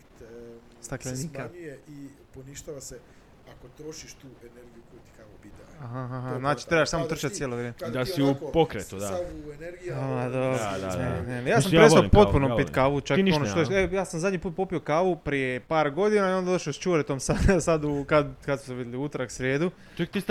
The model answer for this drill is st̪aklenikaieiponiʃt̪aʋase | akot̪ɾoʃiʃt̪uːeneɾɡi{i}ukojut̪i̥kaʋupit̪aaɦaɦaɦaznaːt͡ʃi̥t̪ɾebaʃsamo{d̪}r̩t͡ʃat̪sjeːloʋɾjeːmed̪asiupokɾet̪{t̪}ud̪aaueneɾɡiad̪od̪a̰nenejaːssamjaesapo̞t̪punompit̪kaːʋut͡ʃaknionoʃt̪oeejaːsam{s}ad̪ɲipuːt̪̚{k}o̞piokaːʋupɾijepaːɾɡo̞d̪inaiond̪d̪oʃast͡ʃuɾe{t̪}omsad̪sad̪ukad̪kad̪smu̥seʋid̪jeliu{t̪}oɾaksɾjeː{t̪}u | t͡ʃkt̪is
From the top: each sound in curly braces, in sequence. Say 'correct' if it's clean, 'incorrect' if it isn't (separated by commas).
incorrect, incorrect, correct, incorrect, incorrect, correct, correct, incorrect